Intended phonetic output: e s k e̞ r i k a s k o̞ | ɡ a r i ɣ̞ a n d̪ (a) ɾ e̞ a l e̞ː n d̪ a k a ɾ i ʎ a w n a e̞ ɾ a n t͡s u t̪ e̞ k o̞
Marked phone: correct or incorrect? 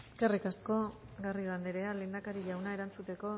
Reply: incorrect: e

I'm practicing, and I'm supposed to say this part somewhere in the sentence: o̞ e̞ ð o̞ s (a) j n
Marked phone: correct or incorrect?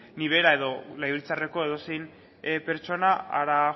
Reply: incorrect: e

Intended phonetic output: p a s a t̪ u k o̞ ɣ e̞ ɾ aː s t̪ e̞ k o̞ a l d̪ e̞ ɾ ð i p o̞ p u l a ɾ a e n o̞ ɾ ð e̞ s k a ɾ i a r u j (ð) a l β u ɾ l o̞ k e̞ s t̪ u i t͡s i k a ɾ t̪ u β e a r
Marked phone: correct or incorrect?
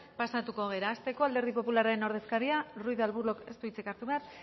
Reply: correct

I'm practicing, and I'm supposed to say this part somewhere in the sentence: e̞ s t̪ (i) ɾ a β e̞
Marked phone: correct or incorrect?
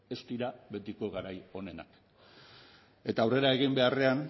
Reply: correct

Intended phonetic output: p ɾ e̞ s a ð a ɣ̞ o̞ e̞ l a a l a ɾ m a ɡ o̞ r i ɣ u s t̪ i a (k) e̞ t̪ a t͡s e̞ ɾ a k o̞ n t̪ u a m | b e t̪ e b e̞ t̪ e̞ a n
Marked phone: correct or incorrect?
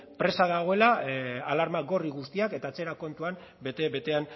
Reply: correct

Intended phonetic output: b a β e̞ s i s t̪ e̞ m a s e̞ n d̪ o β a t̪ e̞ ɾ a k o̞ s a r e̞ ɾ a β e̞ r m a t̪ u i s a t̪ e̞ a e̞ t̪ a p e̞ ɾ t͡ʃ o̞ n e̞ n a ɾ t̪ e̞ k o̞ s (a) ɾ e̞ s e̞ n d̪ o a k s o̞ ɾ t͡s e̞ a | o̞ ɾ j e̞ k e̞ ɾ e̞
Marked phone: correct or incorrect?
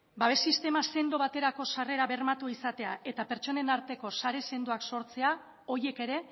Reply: correct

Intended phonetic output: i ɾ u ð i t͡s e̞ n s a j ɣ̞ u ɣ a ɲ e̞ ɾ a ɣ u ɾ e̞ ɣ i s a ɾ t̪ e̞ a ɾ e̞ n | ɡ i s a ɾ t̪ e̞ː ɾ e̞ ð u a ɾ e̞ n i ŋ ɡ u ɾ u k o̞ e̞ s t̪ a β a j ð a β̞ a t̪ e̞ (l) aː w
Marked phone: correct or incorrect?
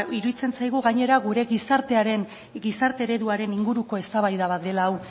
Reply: correct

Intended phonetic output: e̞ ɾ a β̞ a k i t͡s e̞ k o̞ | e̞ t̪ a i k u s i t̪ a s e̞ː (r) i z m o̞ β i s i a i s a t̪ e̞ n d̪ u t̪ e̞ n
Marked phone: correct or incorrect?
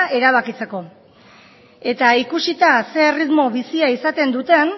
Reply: correct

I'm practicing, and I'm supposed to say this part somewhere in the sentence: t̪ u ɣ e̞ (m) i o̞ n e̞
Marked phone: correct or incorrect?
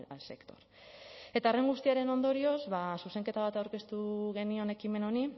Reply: incorrect: n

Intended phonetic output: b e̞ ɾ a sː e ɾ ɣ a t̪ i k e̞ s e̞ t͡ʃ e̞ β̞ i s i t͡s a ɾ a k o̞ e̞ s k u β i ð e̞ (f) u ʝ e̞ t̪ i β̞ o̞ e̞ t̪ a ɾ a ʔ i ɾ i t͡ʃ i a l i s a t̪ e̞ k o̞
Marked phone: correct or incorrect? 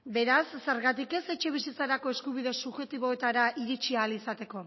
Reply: incorrect: s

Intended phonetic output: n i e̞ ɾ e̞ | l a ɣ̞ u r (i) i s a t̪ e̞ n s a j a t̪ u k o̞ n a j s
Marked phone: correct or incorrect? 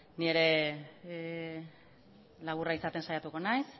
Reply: incorrect: a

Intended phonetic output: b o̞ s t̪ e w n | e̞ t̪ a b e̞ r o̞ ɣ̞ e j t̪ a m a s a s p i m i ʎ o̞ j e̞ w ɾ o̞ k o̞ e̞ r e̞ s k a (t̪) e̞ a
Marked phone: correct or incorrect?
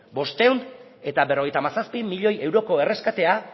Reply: correct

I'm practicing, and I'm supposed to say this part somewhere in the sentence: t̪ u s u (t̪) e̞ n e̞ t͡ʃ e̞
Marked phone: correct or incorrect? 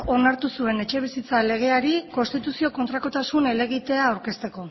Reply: incorrect: none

